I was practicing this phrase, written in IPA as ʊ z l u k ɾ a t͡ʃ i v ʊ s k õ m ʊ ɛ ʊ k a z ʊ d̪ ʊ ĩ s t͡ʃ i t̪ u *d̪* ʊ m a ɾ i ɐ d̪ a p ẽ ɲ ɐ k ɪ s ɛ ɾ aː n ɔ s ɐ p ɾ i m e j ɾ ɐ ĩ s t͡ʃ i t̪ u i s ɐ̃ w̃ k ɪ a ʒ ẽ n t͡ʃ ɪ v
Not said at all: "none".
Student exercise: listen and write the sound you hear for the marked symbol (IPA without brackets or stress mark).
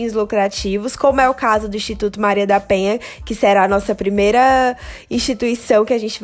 t̪